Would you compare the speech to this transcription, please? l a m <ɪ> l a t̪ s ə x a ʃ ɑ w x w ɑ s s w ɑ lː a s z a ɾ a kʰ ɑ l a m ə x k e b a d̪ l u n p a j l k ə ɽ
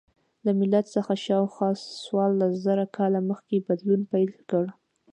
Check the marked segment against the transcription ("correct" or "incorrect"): correct